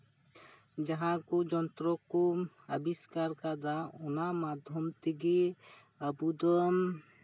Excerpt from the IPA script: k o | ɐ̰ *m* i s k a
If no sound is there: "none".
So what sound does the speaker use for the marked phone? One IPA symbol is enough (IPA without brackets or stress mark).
b